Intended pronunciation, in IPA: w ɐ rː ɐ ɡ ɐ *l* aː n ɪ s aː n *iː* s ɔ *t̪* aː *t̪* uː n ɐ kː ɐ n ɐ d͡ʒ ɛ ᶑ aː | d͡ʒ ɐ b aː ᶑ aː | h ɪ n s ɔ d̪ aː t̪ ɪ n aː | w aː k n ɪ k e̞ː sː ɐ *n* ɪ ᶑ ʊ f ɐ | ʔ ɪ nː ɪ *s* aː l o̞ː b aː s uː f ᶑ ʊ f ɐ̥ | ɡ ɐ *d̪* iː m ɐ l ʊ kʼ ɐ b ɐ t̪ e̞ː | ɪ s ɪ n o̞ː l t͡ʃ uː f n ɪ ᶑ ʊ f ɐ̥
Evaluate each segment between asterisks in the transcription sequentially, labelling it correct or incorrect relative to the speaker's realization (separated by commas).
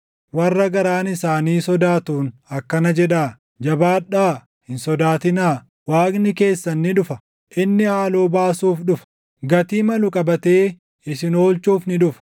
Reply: incorrect, correct, incorrect, correct, incorrect, incorrect, incorrect